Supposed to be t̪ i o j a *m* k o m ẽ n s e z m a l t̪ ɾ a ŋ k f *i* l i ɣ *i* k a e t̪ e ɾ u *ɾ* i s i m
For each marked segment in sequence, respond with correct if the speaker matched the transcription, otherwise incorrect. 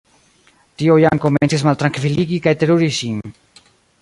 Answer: incorrect: ŋ, correct, correct, correct

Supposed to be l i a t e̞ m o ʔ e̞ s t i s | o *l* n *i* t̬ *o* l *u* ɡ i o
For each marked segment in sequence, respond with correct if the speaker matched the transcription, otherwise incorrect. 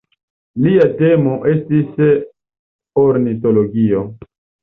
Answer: incorrect: ɾ, correct, correct, incorrect: o

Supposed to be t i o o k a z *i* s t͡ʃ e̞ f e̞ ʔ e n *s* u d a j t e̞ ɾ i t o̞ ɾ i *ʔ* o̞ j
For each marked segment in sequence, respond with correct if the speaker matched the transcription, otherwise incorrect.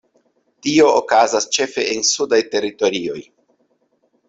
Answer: incorrect: a, correct, incorrect: none

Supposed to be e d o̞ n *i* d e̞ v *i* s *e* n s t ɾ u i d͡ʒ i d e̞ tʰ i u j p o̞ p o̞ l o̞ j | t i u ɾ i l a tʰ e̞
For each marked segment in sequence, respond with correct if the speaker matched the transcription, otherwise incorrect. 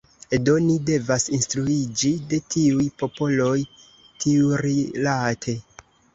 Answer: correct, incorrect: a, incorrect: i

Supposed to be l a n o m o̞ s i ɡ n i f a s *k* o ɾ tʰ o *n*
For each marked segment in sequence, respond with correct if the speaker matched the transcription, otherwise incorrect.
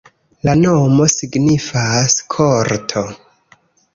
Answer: incorrect: kʰ, incorrect: none

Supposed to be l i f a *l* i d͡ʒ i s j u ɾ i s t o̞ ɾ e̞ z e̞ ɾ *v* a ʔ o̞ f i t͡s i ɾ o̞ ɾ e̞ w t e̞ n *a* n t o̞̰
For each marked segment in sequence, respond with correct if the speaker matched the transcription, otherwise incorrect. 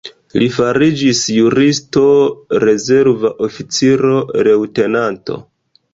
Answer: incorrect: ɾ, correct, correct

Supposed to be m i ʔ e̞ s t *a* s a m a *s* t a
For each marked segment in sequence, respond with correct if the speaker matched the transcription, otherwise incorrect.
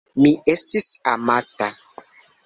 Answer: incorrect: i, incorrect: none

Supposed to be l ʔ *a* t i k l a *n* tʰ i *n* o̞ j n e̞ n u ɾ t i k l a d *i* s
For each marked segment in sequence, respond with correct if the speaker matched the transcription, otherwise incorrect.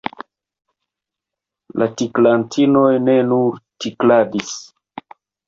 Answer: correct, correct, correct, correct

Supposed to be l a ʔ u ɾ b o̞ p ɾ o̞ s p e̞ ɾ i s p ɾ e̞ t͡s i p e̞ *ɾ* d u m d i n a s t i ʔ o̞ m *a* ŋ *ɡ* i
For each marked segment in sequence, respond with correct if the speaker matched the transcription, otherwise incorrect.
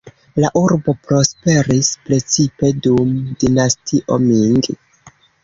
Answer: incorrect: none, incorrect: i, correct

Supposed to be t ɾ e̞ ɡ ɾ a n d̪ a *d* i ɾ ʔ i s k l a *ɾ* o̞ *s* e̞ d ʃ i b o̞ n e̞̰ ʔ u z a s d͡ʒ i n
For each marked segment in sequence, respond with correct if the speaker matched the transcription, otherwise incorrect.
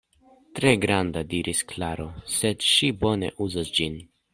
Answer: correct, correct, correct

